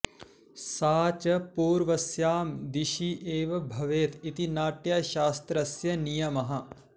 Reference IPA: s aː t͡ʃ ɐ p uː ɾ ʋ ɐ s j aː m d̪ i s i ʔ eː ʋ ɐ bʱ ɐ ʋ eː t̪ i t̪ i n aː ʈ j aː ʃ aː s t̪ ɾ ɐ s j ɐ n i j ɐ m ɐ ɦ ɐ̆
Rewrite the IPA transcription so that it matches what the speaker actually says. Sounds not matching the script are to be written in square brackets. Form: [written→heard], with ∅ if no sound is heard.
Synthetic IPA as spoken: s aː t͡ʃ ɐ p uː ɾ ʋ ɐ s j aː m d̪ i [s→ʃ] i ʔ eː ʋ ɐ bʱ ɐ ʋ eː t̪ i t̪ i n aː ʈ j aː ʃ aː s t̪ ɾ ɐ s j ɐ n i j ɐ m ɐ ɦ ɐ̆